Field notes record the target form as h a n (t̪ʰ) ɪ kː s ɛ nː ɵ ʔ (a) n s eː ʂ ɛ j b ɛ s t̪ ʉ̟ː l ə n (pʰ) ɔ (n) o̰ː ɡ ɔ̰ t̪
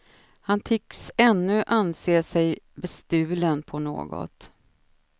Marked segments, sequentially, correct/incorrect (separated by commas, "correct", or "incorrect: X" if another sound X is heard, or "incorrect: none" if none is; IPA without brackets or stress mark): correct, correct, correct, correct